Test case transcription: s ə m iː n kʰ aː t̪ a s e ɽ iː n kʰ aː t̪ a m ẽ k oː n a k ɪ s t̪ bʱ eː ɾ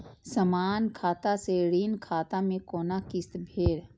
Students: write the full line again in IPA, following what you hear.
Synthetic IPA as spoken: s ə m aː n kʰ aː t̪ a s e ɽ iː n kʰ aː t̪ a m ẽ k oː n a k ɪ s t̪ bʱ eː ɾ